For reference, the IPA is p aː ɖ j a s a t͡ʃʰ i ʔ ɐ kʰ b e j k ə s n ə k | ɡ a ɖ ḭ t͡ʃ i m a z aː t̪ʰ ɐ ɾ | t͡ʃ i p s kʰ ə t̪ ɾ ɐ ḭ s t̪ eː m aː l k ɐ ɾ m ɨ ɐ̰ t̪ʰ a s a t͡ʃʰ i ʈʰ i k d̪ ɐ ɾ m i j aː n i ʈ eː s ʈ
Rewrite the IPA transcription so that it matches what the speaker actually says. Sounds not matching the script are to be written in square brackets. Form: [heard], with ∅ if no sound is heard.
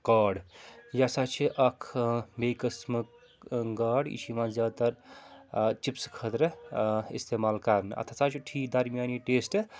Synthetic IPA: [k] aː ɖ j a s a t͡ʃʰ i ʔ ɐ kʰ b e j k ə s [m] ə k | ɡ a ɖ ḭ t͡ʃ i m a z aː [t̪] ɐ ɾ | t͡ʃ i p s kʰ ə t̪ ɾ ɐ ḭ s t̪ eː m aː l k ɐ ɾ [n] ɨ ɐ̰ t̪ʰ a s a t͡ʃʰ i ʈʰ i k d̪ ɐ ɾ m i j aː n i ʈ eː s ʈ